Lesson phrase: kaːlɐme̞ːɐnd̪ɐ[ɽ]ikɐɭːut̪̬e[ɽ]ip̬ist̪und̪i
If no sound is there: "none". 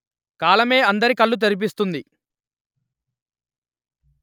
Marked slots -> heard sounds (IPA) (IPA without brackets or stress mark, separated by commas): ɾ, ɾ